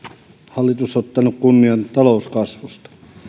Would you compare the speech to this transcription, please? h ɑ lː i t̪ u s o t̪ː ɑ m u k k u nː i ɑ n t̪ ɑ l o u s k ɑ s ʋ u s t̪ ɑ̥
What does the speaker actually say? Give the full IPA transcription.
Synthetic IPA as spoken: h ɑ lː i t̪ u s o t̪ː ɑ n u k k u nː i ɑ n t̪ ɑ l o u s k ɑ s ʋ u s t̪ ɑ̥